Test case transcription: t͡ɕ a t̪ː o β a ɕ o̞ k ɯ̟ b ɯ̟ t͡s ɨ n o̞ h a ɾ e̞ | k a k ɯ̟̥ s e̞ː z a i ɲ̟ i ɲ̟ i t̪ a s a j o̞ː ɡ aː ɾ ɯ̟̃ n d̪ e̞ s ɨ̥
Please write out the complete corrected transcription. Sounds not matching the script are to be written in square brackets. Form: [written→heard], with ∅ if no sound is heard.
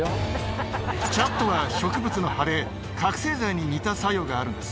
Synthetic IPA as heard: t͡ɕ a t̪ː o β a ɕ o̞ k ɯ̟ b ɯ̟ t͡s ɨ n o̞ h a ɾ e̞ | k a k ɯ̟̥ s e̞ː z a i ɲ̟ i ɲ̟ i t̪ a s a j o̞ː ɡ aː ɾ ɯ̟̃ n d̪ e̞ s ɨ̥